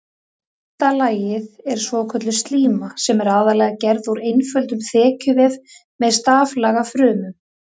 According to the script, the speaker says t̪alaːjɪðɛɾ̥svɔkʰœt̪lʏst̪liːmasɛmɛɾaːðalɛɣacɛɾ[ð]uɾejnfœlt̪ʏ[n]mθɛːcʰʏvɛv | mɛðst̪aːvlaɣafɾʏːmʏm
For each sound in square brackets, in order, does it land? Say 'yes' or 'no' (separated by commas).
yes, no